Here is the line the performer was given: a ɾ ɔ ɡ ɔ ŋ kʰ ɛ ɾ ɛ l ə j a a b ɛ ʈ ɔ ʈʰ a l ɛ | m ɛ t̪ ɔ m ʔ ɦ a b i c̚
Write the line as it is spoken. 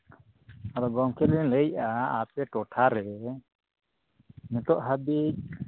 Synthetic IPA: a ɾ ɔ ɡ ɔ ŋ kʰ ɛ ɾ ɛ l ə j a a p ɛ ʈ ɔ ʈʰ a ɾ ɛ | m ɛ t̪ ɔ ʔ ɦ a b i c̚